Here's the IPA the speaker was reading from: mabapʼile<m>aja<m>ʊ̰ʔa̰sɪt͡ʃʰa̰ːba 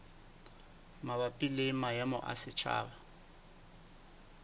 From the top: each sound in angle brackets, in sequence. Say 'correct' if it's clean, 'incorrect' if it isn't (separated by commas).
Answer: correct, correct